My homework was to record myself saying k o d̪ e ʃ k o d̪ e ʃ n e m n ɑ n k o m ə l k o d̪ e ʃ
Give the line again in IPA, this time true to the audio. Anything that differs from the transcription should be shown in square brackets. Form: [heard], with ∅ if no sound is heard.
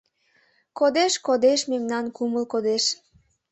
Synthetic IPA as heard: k o d̪ e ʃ k o d̪ e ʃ [m] e m n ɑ n k [u] m ə l k o d̪ e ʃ